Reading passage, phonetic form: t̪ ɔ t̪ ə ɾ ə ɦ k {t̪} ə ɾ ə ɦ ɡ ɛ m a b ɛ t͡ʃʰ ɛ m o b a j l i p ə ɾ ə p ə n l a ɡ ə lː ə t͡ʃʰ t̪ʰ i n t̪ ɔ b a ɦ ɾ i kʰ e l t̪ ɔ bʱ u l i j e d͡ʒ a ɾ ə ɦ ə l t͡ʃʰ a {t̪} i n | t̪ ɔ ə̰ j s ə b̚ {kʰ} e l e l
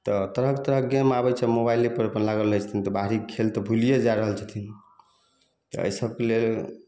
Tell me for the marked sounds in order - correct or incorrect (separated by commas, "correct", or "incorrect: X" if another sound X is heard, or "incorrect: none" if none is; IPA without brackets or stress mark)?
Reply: correct, incorrect: t̪ʰ, incorrect: k